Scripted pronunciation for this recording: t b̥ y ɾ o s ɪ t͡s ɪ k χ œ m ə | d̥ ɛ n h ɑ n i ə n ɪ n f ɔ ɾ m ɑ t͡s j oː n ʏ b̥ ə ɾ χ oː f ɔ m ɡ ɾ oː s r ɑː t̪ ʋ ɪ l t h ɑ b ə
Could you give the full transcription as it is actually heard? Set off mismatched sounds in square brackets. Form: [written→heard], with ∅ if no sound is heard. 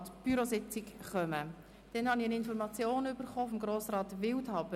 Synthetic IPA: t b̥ y ɾ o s ɪ t͡s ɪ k χ œ m ə | d̥ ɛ n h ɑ n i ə n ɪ n f ɔ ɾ m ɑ t͡s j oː n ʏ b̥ ə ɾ χ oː f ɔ m ɡ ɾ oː s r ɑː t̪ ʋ ɪ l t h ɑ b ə